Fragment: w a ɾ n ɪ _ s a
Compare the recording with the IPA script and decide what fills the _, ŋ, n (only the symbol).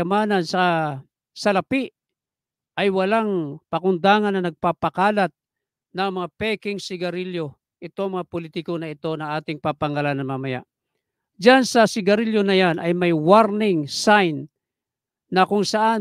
ŋ